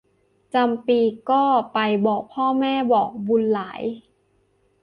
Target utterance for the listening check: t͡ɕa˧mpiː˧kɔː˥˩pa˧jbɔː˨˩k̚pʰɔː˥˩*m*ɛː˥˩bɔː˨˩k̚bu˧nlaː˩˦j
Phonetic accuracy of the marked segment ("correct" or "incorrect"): correct